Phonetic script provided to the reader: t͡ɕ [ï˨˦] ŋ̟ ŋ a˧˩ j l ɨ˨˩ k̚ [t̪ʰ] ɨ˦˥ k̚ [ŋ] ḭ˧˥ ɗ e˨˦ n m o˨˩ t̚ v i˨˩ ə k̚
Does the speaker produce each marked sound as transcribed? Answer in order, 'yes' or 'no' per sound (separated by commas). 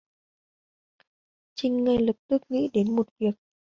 no, no, yes